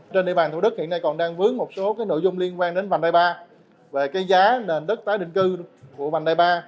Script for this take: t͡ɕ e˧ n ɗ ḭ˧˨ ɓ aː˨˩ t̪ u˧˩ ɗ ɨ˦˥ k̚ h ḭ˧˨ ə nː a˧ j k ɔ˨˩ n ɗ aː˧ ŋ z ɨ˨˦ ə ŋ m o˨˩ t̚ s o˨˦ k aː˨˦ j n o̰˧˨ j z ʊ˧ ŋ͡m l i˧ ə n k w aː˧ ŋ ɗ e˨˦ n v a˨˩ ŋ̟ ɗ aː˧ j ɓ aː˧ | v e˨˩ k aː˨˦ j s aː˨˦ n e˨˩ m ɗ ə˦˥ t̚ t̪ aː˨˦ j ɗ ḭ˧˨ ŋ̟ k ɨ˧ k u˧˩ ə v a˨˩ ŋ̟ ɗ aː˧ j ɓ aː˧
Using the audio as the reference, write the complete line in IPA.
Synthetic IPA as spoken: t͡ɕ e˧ n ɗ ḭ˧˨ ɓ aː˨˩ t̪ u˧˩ ɗ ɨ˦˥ k̚ h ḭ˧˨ ə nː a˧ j k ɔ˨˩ n ɗ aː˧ ŋ v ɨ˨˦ ə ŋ m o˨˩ t̚ s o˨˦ k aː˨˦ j n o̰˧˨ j z ʊ˧ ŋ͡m l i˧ ə n k w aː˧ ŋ ɗ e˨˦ n v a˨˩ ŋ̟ ɗ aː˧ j ɓ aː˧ | v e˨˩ k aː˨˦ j z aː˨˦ n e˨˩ n ɗ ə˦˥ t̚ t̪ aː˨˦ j ɗ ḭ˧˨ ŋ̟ k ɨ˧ k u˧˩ ə v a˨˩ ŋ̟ ɗ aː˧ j ɓ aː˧

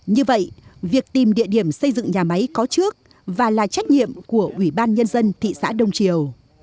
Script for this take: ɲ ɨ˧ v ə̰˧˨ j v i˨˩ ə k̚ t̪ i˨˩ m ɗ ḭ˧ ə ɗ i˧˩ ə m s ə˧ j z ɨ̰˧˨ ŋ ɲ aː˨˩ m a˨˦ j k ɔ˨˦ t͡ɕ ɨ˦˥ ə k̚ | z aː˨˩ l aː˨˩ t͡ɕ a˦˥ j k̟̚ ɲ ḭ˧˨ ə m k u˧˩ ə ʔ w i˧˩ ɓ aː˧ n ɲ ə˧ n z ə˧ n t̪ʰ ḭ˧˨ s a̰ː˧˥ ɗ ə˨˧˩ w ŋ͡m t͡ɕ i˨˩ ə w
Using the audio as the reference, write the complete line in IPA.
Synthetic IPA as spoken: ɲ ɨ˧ v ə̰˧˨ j v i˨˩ ə k̚ t̪ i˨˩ m ɗ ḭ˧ ə ɗ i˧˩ ə m s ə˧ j z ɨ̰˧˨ ŋ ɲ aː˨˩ m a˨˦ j k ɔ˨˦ t͡ɕ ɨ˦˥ ə k̚ | v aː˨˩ l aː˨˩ t͡ɕ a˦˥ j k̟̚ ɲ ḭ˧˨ ə m k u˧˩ ə ʔ w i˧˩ ɓ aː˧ n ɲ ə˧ n z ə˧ n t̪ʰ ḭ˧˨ s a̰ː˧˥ ɗ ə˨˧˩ w ŋ͡m t͡ɕ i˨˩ ə w

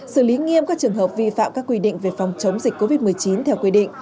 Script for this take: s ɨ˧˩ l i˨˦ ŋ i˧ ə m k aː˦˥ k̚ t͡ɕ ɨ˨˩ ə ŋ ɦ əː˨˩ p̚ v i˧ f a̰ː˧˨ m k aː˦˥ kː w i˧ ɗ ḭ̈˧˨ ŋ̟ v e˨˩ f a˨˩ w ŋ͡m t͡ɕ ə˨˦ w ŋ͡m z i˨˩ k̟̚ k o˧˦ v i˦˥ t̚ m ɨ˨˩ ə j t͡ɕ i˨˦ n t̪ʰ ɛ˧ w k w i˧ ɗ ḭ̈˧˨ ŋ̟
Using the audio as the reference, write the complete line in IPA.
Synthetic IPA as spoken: s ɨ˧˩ l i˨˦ ŋ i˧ ə m k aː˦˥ k̚ t͡ɕ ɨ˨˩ ə ŋ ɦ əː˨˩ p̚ v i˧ f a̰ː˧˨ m k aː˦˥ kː w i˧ ɗ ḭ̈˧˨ ŋ̟ v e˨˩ f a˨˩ w ŋ͡m t͡ɕ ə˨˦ w ŋ͡m z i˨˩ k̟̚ k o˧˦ v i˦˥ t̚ m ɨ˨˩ ə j t͡ɕ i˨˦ n t̪ʰ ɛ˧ w k w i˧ ɗ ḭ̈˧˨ ŋ̟

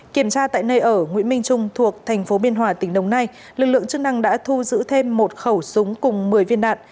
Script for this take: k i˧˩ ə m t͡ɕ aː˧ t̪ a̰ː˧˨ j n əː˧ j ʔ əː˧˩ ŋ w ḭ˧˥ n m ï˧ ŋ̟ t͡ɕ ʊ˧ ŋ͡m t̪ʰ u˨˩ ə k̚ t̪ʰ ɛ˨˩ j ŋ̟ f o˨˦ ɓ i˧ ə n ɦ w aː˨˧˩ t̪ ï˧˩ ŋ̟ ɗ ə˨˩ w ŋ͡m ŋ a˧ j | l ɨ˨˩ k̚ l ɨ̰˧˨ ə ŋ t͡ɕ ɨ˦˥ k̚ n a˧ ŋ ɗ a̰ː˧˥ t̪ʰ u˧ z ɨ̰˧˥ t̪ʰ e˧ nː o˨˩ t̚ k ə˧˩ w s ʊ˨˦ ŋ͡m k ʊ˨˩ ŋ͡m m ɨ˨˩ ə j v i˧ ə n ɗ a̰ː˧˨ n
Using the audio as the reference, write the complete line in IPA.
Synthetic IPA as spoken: k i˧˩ ə m t͡ɕ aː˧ t̪ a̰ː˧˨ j n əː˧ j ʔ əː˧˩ ŋ w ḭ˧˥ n m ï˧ ŋ̟ t͡ɕ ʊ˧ ŋ͡m t̪ʰ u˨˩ ə k̚ t̪ʰ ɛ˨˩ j ŋ̟ f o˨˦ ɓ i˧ ə n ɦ w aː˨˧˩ t̪ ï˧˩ ŋ̟ ɗ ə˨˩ w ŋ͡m n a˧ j | l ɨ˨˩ k̚ l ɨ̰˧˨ ə ŋ t͡ɕ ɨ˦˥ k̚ n a˧ ŋ ɗ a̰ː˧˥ t̪ʰ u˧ z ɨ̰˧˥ t̪ʰ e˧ mː o˨˩ t̚ x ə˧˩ w s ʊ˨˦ ŋ͡m k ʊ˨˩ ŋ͡m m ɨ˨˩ ə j v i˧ ə n ɗ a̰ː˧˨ n

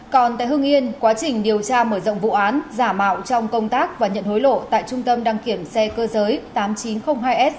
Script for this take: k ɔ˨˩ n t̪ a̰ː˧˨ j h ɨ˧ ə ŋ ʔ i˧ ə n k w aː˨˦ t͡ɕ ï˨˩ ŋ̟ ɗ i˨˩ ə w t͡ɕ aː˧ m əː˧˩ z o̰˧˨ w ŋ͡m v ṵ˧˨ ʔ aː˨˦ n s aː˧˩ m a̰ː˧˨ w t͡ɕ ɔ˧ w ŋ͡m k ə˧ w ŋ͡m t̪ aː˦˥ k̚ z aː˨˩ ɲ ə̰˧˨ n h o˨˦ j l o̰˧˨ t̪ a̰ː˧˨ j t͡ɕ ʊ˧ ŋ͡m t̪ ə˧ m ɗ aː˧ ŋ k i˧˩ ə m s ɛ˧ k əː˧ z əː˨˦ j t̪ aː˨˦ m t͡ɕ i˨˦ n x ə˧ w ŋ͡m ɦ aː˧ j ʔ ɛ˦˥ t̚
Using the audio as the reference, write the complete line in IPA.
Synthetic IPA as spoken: k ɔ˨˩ n t̪ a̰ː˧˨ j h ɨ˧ ə ŋ ʔ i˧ ə n k w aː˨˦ t͡ɕ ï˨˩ ŋ̟ ɗ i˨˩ ə w t͡ɕ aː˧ m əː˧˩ z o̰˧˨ w ŋ͡m v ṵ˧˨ ʔ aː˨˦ n z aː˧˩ m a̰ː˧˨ w t͡ɕ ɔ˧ w ŋ͡m k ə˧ w ŋ͡m t̪ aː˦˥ k̚ v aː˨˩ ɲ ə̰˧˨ n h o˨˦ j l o̰˧˨ t̪ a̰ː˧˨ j t͡ɕ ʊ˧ ŋ͡m t̪ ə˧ m ɗ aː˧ ŋ k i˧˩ ə m s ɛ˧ k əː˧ z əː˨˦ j t̪ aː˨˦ m t͡ɕ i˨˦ n x ə˧ w ŋ͡m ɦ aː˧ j ʔ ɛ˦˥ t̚

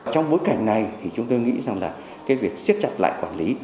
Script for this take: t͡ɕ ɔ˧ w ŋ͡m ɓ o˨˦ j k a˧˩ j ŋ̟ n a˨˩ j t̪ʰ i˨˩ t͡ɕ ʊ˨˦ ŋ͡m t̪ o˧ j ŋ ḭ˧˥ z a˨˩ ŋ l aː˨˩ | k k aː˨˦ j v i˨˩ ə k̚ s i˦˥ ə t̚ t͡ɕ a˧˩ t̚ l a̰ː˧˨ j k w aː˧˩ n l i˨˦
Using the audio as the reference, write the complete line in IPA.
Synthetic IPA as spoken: t͡ɕ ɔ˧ w ŋ͡m ɓ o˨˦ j k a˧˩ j ŋ̟ n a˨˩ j t̪ʰ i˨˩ t͡ɕ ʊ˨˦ ŋ͡m t̪ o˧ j ŋ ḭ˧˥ z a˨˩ ŋ l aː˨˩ | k k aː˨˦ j v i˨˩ ə k̚ s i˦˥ ə t̚ t͡ɕ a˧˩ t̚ l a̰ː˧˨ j k w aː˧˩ n l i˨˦

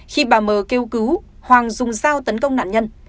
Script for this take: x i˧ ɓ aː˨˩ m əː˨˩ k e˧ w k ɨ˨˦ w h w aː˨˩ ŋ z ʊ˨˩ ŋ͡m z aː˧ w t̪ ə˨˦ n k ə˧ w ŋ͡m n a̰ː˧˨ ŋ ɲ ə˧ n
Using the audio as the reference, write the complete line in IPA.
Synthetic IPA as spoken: x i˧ ɓ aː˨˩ m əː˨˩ k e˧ w k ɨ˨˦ w h w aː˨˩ ŋ z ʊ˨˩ ŋ͡m z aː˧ w t̪ ə˨˦ n k ə˧ w ŋ͡m n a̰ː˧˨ n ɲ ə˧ n

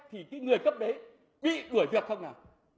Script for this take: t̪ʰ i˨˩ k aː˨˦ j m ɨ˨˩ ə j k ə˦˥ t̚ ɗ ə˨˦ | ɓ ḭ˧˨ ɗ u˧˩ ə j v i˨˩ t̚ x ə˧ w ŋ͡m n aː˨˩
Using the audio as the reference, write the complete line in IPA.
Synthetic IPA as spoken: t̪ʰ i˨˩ k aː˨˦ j ŋ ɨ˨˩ ə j k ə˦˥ p̚ ɗ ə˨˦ | ɓ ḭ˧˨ ɗ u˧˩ ə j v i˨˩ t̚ x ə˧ w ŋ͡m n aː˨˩

